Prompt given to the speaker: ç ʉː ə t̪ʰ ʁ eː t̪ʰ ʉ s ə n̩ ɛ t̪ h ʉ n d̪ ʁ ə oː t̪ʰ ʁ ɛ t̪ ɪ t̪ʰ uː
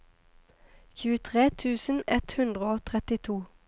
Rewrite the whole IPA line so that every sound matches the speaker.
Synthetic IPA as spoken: ç ʉː ə t̪ʰ ʁ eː t̪ʰ ʉː s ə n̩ ɛ t̪ h ʉ n d̪ ʁ ə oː t̪ʰ ʁ ɛ t̪ ɪ t̪ʰ uː